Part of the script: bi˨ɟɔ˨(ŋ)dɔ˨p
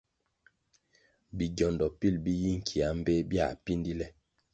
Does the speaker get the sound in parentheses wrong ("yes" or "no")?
yes